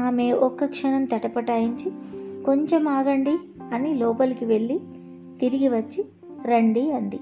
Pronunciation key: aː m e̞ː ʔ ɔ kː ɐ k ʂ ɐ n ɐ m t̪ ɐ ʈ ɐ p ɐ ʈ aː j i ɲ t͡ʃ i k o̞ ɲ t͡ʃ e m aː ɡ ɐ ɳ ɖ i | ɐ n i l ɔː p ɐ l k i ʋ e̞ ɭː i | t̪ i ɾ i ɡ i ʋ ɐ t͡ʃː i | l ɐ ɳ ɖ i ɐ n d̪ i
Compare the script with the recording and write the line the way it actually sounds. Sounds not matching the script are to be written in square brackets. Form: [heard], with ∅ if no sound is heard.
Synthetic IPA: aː m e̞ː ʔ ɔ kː ɐ k ʂ ɐ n ɐ m t̪ ɐ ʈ ɐ p ɐ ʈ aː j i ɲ t͡ʃ i k o̞ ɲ t͡ʃ e m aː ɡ ɐ ɳ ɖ i | ɐ n i l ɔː p ɐ l k i ʋ e̞ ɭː i | t̪ i ɾ i ɡ i ʋ ɐ t͡ʃː i | [ɾ] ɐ ɳ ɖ i ɐ n d̪ i